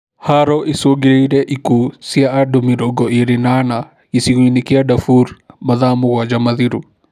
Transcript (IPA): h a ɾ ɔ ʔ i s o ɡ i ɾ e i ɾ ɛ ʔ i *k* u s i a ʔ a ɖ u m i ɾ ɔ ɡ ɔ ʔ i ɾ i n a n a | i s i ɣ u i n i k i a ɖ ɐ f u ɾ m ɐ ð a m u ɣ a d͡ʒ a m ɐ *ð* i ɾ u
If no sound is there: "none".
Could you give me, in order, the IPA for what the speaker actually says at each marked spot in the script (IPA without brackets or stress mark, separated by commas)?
k, ð